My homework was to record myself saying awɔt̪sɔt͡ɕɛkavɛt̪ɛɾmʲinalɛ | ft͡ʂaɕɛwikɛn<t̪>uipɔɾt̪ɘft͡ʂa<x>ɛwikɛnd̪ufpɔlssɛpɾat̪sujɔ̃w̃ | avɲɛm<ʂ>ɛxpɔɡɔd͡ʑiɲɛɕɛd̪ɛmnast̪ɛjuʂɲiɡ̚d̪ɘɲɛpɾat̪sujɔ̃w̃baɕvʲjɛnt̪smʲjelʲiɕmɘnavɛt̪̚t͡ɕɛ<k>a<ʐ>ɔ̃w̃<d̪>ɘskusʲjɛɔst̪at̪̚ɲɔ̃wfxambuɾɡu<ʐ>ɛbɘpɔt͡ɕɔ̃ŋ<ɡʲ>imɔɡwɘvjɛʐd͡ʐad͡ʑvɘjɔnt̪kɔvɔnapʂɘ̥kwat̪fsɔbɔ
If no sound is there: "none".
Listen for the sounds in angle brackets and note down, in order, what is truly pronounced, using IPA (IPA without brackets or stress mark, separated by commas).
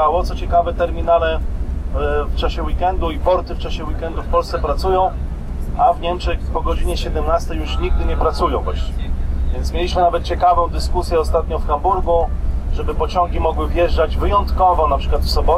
d̪, ɕ, t͡ʂ, k, v, d̪, ʐ, ɡʲ